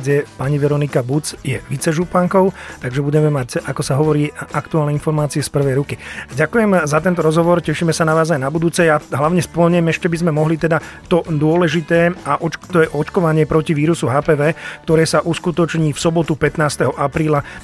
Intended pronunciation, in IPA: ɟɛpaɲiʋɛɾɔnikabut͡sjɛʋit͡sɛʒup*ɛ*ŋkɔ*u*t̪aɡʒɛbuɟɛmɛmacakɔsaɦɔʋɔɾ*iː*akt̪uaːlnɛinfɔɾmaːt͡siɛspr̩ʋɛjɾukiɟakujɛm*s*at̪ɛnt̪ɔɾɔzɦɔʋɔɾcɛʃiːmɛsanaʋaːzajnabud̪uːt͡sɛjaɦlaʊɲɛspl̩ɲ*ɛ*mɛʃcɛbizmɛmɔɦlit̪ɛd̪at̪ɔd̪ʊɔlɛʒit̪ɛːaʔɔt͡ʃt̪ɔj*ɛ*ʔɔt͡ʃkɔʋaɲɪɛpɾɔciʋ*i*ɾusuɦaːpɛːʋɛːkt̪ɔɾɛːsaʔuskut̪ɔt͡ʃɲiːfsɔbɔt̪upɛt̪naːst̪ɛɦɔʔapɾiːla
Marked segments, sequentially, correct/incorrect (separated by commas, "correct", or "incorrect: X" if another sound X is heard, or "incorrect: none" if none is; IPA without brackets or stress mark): incorrect: a, incorrect: ʊ, correct, incorrect: z, correct, correct, incorrect: iː